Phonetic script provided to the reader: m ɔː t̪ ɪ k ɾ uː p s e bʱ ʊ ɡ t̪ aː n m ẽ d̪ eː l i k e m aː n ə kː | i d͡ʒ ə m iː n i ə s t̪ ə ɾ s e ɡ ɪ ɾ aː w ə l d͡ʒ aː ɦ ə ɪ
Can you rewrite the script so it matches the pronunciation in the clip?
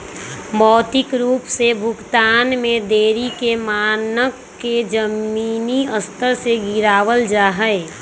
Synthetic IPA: m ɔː t̪ ɪ k ɾ uː p s e bʱ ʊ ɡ t̪ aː n m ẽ d̪ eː ɾ i k e m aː n ə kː | e d͡ʒ ə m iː n i ə s t̪ ə ɾ s e ɡ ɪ ɾ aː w ə l d͡ʒ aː ɦ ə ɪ

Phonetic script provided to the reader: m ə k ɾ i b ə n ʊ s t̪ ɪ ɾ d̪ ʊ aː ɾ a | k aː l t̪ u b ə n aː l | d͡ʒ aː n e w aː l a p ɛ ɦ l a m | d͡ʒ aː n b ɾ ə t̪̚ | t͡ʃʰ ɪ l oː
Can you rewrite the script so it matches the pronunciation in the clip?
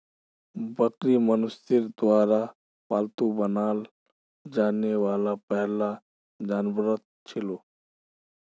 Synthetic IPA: b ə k ɾ i m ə n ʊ s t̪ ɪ ɾ d̪ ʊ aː ɾ a | p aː l t̪ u b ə n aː l | d͡ʒ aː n e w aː l a p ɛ ɦ l a | d͡ʒ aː n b ɾ ə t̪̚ | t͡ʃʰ ɪ l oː

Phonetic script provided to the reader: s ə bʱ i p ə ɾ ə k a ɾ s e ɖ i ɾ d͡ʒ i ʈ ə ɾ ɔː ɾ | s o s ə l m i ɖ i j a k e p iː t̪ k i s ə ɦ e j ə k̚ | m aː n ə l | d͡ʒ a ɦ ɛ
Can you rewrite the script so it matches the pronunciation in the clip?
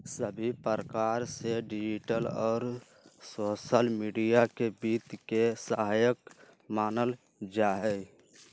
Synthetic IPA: s ə bʱ i p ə ɾ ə k a ɾ s e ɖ i d͡ʒ i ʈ ə l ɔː ɾ | s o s ə l m i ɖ i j a k e b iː t̪ k e s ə ɦ a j ə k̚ | m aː n ə l | d͡ʒ a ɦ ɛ

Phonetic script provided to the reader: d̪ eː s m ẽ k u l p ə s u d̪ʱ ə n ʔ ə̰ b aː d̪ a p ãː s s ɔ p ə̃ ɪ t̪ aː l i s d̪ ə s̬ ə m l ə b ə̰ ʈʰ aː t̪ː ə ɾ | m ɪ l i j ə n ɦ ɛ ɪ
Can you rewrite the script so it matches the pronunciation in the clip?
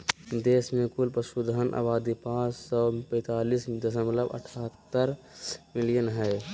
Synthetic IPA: d̪ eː s m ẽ k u l p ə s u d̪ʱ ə n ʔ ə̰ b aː d̪ i p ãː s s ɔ p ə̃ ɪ t̪ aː l i s d̪ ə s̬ ə m l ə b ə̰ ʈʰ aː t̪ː ə ɾ | m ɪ l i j ə n ɦ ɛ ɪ

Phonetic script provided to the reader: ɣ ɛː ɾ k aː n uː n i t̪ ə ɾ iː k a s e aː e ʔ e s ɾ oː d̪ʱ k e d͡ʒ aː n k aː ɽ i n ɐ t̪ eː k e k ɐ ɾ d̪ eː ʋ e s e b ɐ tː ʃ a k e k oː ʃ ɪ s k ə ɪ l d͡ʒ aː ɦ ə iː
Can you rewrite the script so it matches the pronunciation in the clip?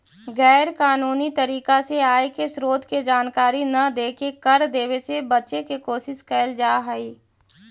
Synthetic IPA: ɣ ɛː ɾ k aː n uː n i t̪ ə ɾ iː k a s e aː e k e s ɾ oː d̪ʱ k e d͡ʒ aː n k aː ɾ i n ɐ d̪ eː k e k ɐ ɾ d̪ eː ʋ e s e b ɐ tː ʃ e k e k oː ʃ ɪ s k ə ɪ l d͡ʒ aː ɦ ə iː

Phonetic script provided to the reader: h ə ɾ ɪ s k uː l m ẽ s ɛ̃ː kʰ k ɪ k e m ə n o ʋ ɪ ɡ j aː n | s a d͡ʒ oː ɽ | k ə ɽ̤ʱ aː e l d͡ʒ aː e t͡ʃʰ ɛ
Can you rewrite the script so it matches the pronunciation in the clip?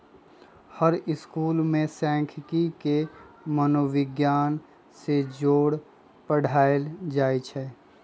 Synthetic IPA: h ə ɾ ɪ s k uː l m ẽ s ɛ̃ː kʰ k i k e m ə n o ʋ ɪ ɡ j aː n | s e d͡ʒ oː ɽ | p ə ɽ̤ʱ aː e l d͡ʒ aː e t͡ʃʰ ɛ

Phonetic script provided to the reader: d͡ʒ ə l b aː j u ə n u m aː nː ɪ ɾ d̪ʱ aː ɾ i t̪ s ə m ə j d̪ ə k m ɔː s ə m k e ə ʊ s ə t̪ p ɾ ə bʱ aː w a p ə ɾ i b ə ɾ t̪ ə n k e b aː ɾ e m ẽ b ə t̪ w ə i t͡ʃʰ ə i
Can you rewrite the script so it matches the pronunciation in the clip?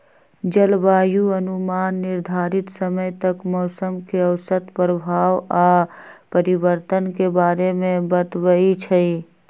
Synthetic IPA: d͡ʒ ə l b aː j u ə n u m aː nː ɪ ɾ d̪ʱ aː ɾ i t̪ s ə m ə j t̪ ə k m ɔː s ə m k e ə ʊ s ə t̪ p ɾ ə bʱ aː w a p ə ɾ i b ə ɾ t̪ ə n k e b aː ɾ e m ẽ b ə t̪ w ə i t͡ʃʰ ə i

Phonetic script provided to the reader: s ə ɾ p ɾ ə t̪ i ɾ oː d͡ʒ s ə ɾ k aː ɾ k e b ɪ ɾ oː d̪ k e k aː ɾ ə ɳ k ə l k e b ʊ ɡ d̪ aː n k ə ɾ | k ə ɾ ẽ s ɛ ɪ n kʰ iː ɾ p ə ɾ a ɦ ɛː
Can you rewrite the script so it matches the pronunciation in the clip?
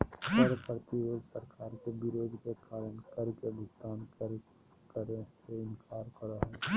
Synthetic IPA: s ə ɾ p ɾ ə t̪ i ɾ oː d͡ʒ s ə ɾ k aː ɾ k e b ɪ ɾ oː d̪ k e k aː ɾ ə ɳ k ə ɾ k e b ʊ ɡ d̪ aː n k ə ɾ | k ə ɾ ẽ s e ɪ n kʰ aː ɾ k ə ɾ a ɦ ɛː

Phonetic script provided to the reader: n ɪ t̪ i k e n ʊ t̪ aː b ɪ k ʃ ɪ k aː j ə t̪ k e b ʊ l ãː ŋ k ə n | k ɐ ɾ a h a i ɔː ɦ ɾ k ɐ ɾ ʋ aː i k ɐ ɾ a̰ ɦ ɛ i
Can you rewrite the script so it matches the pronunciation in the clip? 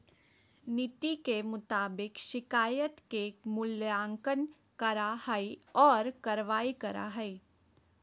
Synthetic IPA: n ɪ t̪ i k e m ʊ t̪ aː b ɪ k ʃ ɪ k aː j ə t̪ k e m ʊ l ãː ŋ k ə n | k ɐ ɾ a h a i ɔː ɾ k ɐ ɾ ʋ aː i k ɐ ɾ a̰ ɦ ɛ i

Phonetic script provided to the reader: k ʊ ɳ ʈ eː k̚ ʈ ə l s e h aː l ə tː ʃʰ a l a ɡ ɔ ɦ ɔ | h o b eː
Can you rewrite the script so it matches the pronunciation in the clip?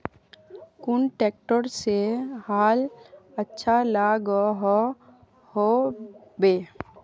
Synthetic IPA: k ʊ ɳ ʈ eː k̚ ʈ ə ɾ s e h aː l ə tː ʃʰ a l a ɡ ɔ ɦ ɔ | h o b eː

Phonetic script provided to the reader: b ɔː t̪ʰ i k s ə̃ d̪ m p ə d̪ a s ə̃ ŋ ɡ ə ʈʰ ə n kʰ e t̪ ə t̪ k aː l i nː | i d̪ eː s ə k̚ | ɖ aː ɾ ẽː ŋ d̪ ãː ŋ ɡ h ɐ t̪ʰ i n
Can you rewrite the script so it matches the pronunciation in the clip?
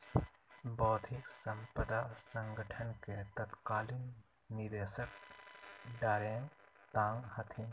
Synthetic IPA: b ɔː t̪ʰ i k s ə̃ m p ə d̪ a s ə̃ ŋ ɡ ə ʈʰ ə n k e t̪ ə t̪ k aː l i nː | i d̪ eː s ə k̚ | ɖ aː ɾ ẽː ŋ t̪ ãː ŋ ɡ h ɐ t̪ʰ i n

